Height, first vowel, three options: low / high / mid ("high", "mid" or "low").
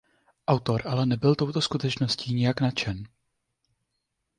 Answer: low